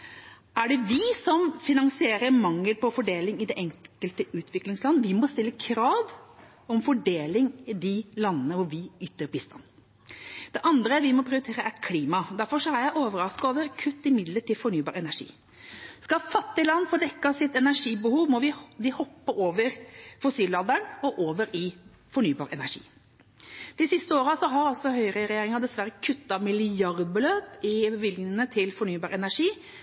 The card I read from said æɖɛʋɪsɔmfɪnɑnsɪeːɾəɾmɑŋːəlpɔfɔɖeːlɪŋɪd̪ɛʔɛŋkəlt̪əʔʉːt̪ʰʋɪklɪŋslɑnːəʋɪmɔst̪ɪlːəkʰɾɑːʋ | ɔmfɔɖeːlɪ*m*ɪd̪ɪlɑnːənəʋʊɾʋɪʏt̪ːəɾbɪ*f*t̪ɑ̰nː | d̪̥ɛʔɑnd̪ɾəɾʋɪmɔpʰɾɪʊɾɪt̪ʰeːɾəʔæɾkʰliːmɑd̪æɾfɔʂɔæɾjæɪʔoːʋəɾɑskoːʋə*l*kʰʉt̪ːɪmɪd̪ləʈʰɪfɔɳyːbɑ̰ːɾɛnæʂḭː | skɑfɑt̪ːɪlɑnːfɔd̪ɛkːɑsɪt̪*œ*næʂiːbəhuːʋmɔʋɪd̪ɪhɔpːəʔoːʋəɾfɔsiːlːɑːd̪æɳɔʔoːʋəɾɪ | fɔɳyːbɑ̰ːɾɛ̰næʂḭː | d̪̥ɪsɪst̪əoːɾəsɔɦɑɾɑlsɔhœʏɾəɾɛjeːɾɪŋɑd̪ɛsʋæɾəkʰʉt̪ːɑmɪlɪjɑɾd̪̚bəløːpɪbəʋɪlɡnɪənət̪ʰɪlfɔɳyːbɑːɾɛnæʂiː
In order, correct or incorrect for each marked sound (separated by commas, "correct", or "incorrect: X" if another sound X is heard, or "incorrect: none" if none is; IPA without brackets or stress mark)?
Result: incorrect: ŋ, incorrect: s, incorrect: ɾ, incorrect: ɛ